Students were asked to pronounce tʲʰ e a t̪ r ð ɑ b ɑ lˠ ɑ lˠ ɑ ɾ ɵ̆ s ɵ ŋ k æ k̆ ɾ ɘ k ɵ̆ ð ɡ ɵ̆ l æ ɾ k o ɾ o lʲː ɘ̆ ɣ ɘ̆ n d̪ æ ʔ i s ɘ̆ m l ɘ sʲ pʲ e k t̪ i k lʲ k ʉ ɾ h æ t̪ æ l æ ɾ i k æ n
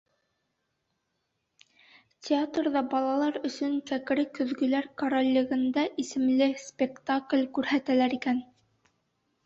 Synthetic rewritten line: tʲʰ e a t̪ r ð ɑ b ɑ lˠ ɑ lˠ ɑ ɾ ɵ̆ s ɵ ŋ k æ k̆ ɾ ɘ k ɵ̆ ð ɡ ɵ̆ l æ ɾ k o ɾ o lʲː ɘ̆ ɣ ɘ̆ n d̪ æ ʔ i s ɘ̆ m l ɘ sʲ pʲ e k t̪ a k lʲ k ʉ ɾ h æ t̪ æ l æ ɾ i k æ n